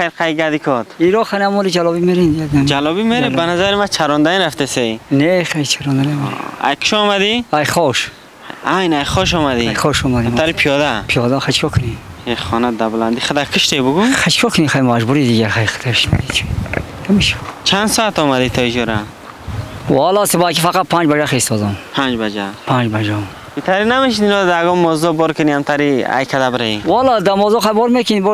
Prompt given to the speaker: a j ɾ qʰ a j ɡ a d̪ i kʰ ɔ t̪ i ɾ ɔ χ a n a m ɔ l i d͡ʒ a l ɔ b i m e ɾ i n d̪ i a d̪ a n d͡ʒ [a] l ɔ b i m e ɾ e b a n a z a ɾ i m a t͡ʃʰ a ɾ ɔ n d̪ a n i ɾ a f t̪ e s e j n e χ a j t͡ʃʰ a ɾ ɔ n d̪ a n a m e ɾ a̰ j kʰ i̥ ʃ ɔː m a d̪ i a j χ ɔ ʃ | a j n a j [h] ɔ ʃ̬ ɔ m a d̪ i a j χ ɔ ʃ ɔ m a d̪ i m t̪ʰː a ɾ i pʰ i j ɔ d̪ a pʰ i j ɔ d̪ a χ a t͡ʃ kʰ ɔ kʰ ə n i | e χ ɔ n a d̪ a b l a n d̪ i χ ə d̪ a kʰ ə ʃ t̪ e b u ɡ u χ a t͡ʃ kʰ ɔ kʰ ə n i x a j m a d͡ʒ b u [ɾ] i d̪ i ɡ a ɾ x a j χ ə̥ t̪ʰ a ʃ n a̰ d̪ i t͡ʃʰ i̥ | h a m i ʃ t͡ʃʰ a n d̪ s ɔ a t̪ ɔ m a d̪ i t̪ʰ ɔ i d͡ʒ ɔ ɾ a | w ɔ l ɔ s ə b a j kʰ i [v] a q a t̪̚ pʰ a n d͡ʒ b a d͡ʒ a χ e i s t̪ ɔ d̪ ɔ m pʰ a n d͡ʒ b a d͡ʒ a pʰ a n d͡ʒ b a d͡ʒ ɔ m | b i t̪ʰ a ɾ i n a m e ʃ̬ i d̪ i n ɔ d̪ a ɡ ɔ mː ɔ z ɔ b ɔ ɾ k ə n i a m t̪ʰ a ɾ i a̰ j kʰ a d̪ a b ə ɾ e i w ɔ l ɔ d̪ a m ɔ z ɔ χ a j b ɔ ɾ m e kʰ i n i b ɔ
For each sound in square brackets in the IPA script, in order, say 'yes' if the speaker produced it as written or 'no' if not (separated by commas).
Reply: yes, no, yes, no